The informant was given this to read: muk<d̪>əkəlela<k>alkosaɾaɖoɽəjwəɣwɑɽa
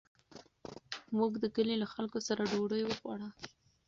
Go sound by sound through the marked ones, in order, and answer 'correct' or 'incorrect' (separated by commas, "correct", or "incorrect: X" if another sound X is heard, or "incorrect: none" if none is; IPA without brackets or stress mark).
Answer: correct, incorrect: x